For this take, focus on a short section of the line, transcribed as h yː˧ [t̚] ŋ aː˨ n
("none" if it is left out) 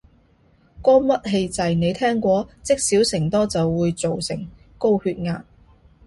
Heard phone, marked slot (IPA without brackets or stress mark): t̚